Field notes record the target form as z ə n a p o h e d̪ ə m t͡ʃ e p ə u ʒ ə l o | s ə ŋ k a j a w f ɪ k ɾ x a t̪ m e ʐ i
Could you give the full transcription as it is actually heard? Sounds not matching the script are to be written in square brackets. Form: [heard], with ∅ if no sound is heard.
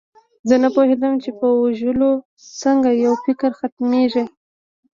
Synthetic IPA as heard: z ə n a p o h e d̪ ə m t͡ʃ e p ə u ʒ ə l o | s ə ŋ [ɡ] a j a w f ɪ k ɾ x a t̪ m e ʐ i